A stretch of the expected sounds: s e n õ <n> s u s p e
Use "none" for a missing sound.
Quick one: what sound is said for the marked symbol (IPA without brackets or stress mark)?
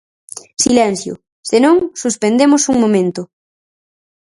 ŋ